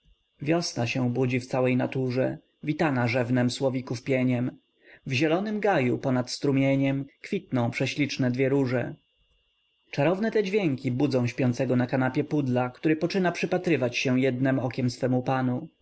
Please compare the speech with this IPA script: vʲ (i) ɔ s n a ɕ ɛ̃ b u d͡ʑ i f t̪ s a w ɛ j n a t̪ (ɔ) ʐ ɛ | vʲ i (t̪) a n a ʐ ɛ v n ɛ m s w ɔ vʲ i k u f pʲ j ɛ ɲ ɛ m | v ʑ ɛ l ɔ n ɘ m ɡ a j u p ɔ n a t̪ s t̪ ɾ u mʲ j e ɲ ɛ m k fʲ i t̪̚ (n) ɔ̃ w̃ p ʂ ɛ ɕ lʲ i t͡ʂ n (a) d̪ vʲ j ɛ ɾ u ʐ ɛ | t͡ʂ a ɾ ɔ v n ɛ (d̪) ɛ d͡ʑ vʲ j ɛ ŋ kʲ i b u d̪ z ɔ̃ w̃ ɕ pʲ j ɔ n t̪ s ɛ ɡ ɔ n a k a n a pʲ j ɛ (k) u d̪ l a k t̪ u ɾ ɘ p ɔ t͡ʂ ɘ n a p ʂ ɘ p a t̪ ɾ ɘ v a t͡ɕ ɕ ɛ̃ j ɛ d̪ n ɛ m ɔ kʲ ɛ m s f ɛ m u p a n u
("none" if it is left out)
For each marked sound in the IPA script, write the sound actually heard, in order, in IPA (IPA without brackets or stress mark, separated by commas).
j, u, t̪, n, ɛ, t̪, p